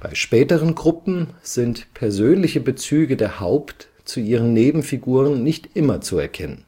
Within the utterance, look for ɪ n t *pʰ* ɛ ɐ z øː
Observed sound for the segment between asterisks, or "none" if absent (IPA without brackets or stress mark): pʰ